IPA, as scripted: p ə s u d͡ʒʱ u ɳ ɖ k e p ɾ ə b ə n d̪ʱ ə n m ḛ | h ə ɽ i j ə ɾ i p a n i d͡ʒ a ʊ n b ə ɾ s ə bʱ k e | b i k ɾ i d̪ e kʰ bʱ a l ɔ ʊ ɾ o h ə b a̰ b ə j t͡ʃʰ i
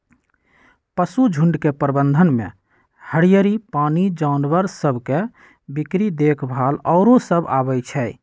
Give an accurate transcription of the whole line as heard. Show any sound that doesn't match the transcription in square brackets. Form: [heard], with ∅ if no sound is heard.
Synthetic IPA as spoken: p ə s u d͡ʒʱ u ɳ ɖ k e p ɾ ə b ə n d̪ʱ ə n m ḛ | h ə ɽ i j ə ɾ i p a n i d͡ʒ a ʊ n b ə ɾ s ə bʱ k e | b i k ɾ i d̪ e kʰ bʱ a l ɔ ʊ ɾ o [s] ə b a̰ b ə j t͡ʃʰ [ɛ]